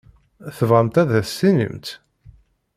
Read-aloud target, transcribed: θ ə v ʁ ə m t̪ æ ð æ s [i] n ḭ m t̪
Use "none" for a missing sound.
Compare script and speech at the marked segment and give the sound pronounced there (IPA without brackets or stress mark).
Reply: i